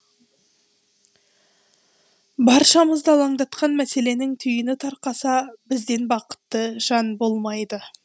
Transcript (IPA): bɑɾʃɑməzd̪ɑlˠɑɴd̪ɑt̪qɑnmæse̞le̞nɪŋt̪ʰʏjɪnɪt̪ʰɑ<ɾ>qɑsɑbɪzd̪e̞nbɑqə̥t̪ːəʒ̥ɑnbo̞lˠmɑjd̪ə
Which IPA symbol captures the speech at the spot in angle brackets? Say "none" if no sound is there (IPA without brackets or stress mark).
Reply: ɾ